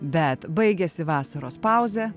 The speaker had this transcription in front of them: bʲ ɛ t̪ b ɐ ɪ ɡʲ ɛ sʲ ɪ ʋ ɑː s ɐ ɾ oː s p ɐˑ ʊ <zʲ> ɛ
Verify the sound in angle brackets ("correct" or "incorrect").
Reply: correct